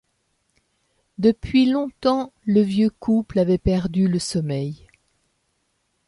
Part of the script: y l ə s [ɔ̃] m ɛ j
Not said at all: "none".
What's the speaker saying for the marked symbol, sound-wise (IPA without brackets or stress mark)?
ɔ